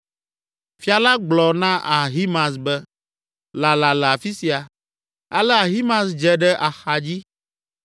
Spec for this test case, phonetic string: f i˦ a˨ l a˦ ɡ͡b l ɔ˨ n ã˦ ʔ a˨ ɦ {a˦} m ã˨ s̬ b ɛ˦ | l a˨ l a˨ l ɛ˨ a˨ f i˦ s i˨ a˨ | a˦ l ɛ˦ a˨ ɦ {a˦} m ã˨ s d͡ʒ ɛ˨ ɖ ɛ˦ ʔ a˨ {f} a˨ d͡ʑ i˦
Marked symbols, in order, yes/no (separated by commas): no, no, no